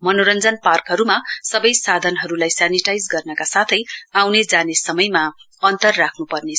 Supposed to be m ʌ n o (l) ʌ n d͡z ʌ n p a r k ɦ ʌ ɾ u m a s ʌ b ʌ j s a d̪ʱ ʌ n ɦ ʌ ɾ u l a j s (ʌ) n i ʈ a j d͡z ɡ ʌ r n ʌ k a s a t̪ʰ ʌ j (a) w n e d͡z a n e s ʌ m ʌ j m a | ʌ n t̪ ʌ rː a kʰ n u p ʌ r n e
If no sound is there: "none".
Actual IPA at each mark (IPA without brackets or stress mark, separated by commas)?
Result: ɾ, a, a